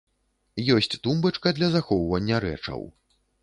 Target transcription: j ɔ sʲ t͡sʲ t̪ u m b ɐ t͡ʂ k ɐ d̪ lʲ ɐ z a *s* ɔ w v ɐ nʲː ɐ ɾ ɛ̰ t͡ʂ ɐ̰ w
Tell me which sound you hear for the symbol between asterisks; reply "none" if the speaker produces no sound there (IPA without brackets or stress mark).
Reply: x